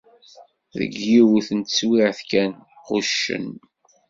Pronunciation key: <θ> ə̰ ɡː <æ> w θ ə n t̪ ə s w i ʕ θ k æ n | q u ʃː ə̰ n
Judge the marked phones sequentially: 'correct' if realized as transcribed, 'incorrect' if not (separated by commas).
incorrect, incorrect